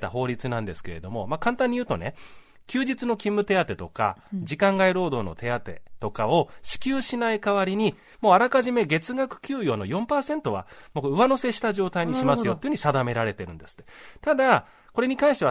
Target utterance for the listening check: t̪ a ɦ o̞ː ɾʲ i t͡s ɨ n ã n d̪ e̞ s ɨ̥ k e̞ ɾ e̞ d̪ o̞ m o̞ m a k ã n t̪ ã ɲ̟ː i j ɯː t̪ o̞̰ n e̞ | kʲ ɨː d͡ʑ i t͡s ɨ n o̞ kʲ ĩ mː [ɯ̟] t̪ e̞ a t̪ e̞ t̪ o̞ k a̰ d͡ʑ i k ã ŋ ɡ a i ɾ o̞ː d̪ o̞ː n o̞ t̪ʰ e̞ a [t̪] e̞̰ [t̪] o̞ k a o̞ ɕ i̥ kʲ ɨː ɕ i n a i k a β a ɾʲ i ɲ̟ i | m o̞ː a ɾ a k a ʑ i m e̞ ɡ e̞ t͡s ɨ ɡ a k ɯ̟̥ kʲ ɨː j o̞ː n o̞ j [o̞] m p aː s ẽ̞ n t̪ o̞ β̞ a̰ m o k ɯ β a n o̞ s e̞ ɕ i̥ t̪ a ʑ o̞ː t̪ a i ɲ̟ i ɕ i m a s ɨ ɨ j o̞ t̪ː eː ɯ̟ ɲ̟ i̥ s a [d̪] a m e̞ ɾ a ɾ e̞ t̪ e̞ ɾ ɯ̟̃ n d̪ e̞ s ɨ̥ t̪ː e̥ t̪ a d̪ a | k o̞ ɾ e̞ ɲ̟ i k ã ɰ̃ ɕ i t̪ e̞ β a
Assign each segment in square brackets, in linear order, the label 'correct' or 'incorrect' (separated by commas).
correct, correct, correct, incorrect, correct